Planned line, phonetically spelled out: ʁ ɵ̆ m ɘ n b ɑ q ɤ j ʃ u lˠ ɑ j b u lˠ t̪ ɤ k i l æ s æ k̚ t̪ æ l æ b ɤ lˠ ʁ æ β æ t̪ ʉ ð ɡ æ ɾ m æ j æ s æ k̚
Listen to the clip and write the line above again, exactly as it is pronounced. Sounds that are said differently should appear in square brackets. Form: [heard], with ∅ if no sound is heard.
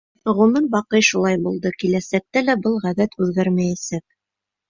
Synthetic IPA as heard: ʁ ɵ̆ m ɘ n b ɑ q ɤ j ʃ u lˠ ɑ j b u lˠ [d̪] ɤ k i l æ s æ k̚ t̪ æ l æ b ɤ lˠ ʁ æ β æ t̪ ʉ ð ɡ æ ɾ m æ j æ s æ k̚